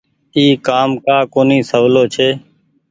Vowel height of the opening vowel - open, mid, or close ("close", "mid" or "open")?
close